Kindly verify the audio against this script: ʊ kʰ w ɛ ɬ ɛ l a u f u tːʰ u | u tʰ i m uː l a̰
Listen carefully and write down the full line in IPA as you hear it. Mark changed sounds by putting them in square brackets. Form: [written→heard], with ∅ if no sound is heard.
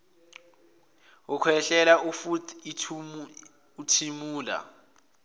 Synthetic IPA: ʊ kʰ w ɛ ɬ ɛ l a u f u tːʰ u | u tʰ i m uː l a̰